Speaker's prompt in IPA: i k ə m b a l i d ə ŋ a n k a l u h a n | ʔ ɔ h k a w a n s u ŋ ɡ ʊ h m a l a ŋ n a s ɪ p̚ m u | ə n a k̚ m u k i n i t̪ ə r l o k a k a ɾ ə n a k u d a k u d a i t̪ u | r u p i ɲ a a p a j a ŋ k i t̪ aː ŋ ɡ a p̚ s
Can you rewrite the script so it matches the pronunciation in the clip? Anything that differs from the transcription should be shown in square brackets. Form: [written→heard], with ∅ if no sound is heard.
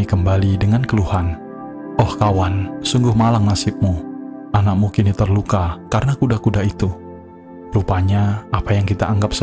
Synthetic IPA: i k ə m b a l i d ə ŋ a n k [a→ə] l u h a n | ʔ ɔ h k a w a n s u ŋ ɡ ʊ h m a l a ŋ n a s ɪ p̚ m u | [ə→a] n a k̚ m u k i n i t̪ ə r l [o→u] k a k a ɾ ə n a k u d a k u d a i t̪ u | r u p [i→a] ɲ a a p a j a ŋ k i t̪ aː ŋ ɡ a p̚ s